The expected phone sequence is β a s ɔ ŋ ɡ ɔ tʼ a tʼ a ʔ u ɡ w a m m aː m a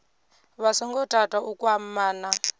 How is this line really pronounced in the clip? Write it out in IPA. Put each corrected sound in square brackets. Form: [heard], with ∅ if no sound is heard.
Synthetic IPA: β a s ɔ ŋ ɡ ɔ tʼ a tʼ a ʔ u [k] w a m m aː [n] a